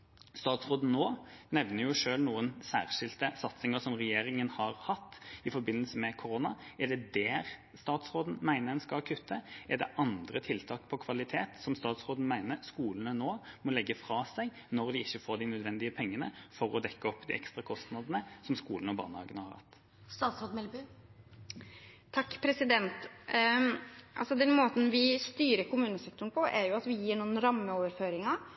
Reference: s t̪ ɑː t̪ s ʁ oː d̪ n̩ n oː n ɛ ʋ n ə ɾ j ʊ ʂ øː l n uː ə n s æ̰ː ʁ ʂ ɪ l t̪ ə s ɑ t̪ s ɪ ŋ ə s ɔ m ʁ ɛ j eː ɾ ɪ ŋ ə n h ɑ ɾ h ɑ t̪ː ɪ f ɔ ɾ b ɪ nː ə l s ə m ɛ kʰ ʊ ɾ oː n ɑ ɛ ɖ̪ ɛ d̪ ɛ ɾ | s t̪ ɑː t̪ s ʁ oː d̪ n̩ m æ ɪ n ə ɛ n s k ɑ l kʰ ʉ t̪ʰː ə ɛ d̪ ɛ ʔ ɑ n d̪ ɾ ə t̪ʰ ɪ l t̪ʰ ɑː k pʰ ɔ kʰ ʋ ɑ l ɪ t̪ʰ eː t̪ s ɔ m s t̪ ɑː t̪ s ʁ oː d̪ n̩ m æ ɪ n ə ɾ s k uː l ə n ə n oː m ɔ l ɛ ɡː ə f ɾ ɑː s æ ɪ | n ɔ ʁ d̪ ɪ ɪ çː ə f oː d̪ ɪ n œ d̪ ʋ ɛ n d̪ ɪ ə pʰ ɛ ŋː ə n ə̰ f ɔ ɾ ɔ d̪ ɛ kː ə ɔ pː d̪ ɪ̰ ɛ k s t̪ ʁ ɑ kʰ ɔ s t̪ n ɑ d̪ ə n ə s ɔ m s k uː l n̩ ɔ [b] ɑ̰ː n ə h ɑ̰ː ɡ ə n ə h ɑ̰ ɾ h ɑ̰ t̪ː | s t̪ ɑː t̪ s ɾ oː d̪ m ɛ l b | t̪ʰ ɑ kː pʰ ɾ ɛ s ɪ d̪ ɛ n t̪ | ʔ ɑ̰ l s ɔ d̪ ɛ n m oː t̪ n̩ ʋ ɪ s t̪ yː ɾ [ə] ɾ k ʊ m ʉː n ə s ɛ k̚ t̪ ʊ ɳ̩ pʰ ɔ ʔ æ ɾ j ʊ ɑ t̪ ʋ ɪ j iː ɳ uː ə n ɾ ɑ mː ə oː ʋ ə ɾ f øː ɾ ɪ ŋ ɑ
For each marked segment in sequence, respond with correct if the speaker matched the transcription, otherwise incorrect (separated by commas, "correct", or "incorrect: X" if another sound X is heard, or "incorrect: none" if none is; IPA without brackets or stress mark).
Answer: correct, correct